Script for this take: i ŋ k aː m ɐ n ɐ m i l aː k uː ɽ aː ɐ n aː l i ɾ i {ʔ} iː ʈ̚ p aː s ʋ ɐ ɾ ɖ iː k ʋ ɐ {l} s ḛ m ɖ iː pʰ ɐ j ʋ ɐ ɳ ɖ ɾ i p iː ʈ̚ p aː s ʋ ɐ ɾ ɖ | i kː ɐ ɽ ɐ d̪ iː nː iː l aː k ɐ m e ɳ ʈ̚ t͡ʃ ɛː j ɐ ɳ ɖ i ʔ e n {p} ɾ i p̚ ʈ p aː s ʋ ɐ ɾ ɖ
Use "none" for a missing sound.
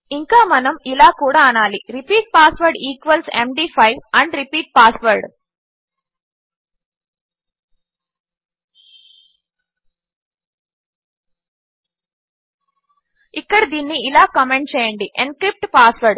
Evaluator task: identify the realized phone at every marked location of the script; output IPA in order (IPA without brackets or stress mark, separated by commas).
p, l, k